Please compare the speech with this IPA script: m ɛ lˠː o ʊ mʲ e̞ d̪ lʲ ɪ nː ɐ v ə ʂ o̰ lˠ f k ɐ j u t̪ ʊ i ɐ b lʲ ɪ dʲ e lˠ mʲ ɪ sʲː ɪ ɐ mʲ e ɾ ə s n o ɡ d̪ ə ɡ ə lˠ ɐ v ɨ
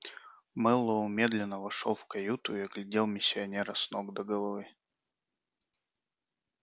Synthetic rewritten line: m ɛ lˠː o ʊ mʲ e̞ d̪ lʲ ɪ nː ə v ɐ ʂ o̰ lˠ f k ɐ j u t̪ ʊ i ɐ ɡ lʲ ɪ dʲ e lˠ mʲ ɪ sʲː ɪ ɐ nʲ e ɾ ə s n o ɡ d̪ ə ɡ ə lˠ ɐ v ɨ